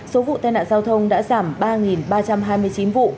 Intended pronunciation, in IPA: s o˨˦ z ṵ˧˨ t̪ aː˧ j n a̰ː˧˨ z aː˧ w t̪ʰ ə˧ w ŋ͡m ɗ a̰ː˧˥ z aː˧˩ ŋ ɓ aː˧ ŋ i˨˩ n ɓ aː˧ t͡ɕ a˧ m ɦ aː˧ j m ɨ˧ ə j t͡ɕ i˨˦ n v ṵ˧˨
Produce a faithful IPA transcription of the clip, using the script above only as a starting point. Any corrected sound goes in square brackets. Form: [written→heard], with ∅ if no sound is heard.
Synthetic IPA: s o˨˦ [z→v] ṵ˧˨ t̪ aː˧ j n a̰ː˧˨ z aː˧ w t̪ʰ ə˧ w ŋ͡m ɗ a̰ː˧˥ z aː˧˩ [ŋ→m] ɓ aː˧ ŋ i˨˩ n ɓ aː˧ t͡ɕ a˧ m ɦ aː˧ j m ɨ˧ ə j t͡ɕ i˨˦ n v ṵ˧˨

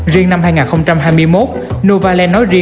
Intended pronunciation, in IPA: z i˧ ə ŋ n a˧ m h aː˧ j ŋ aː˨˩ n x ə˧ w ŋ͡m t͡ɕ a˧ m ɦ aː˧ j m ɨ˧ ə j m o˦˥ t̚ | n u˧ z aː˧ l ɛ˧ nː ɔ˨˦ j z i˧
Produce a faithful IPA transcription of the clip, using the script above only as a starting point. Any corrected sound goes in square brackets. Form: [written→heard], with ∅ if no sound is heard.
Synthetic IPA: z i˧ ə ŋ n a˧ m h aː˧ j ŋ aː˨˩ n x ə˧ w ŋ͡m t͡ɕ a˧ m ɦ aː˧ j m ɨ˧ ə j m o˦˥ t̚ | n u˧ [z→v] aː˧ l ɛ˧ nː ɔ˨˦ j z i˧

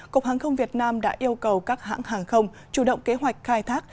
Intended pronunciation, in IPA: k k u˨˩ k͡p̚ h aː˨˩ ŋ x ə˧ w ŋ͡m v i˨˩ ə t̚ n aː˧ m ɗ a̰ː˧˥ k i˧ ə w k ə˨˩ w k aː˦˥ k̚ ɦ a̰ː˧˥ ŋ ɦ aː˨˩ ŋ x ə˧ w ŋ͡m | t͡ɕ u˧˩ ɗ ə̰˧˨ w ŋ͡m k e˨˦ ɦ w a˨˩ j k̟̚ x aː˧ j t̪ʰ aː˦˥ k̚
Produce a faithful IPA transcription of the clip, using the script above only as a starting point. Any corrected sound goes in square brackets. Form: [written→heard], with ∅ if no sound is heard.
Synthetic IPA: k k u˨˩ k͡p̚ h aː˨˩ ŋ x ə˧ w ŋ͡m v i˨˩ ə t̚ n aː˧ m ɗ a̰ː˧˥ [k→ʔ] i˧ ə w k ə˨˩ w k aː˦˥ k̚ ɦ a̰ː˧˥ ŋ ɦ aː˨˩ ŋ x ə˧ w ŋ͡m | t͡ɕ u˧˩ ɗ ə̰˧˨ w ŋ͡m k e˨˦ ɦ w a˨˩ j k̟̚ x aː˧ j t̪ʰ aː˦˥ k̚

